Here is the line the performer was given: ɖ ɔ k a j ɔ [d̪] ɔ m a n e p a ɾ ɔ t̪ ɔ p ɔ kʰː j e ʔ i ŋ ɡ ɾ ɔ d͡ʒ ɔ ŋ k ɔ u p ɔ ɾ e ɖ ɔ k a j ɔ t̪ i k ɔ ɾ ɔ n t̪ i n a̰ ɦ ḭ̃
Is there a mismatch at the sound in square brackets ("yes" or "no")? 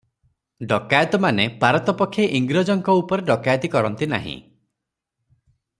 yes